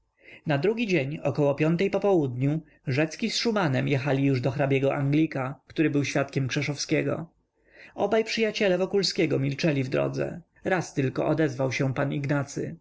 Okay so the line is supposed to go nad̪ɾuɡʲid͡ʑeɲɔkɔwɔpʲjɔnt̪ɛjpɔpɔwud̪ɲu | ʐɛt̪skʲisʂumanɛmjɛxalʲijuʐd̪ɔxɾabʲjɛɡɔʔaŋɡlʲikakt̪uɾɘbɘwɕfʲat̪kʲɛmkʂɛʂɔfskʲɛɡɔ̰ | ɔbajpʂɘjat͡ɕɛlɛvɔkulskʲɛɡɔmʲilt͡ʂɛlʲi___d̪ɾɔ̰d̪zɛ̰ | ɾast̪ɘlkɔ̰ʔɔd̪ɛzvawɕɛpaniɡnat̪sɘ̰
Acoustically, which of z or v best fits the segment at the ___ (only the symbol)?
v